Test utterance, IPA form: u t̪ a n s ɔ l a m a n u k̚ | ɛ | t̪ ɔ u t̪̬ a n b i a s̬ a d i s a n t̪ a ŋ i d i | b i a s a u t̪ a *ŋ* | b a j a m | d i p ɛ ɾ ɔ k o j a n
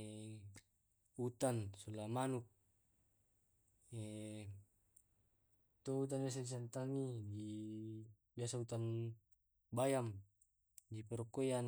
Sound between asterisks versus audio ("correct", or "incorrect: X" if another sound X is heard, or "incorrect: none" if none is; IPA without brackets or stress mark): incorrect: n